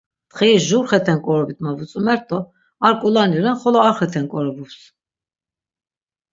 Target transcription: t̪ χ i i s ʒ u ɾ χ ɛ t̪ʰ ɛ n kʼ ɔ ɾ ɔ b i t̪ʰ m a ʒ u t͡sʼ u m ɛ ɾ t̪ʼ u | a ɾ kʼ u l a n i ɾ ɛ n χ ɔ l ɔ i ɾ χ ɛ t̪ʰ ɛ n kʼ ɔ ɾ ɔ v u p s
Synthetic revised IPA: t̪ χ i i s ʒ u ɾ χ ɛ t̪ʰ ɛ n kʼ ɔ ɾ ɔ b i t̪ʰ m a v u t͡sʼ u m ɛ ɾ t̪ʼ ɔ | a ɾ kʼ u l a n i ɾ ɛ n χ ɔ l ɔ a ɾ χ ɛ t̪ʰ ɛ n kʼ ɔ ɾ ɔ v u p s